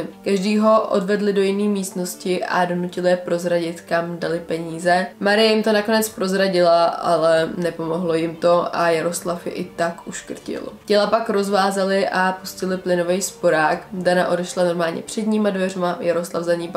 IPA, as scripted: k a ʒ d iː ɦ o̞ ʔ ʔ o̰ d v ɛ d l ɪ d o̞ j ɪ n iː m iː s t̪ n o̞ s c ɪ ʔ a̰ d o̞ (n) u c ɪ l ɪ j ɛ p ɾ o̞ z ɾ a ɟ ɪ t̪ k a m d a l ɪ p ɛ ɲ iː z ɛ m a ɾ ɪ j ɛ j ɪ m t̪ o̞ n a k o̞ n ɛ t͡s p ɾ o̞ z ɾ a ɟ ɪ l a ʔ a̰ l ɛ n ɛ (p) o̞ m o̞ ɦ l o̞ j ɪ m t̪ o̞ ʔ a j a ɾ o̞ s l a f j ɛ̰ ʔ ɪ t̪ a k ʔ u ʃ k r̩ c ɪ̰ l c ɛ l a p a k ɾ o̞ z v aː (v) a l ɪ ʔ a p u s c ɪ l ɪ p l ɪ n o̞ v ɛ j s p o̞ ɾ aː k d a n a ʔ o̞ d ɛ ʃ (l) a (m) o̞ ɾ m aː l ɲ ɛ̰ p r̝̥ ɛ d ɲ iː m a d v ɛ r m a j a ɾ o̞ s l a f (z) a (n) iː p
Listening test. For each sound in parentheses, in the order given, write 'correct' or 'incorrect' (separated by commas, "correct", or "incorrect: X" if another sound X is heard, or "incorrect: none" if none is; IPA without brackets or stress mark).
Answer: correct, correct, incorrect: z, correct, incorrect: n, correct, incorrect: ɲ